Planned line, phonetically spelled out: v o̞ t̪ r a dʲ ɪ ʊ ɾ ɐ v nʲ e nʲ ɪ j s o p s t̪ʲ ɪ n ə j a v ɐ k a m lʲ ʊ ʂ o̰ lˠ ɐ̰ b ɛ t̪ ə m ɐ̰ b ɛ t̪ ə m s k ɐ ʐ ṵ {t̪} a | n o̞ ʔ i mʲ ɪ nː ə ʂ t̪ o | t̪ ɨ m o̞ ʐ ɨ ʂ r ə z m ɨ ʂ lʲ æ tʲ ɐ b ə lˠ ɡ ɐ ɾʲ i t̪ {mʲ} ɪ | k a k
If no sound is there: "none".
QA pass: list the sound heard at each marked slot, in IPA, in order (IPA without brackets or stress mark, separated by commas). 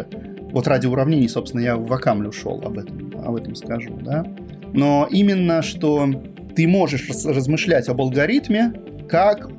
d̪, mʲ